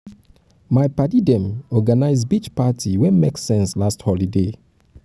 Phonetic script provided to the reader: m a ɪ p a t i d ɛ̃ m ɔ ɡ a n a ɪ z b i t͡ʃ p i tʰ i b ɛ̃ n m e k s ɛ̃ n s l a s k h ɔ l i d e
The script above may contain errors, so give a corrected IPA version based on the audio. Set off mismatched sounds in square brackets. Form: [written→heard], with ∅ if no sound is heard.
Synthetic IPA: m a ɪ p a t i d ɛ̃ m ɔ ɡ a n a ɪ z b i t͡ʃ p [i→a] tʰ i [b→w] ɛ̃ n m e k s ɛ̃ n s l a s [k→t] h ɔ l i d e